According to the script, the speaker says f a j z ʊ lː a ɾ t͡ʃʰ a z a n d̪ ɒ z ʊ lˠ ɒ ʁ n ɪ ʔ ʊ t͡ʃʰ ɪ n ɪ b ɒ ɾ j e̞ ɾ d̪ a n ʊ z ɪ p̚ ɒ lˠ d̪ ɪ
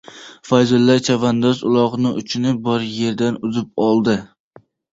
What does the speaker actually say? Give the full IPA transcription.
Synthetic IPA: f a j z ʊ lː a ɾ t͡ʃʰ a v a n d̪ ɒ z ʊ lˠ ɒ ʁ n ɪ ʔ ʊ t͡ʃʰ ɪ n ɪ b ɒ ɾ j e̞ ɾ d̪ a n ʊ z ɪ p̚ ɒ lˠ d̪ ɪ